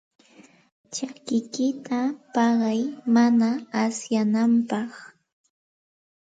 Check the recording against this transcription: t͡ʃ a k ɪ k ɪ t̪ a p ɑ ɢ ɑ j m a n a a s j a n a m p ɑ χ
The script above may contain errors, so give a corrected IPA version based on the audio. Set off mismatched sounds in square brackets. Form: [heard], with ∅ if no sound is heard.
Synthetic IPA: t͡ʃ a k ɪ k ɪ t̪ a p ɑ ɢ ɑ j m a n a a s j a n a m p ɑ χ